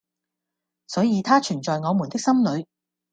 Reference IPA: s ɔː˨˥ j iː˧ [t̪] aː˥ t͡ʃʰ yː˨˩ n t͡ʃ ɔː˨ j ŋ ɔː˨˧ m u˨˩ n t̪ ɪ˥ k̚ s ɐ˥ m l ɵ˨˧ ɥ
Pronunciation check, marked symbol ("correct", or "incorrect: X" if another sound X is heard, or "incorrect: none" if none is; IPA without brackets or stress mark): incorrect: t̪ʰ